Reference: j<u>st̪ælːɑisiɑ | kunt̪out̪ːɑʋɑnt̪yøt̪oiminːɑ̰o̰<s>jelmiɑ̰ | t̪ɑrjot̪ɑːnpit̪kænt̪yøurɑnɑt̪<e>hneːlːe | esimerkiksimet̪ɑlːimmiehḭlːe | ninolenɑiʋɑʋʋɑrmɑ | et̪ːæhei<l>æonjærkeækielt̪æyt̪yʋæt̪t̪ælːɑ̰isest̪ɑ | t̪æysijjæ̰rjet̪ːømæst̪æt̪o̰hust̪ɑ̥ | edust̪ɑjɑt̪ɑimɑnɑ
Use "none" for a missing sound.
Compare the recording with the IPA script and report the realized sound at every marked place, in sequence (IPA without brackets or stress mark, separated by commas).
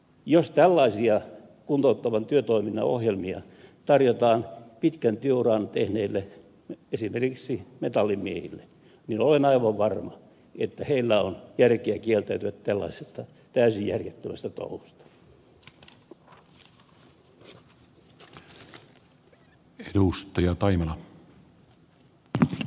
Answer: o, h, e, lː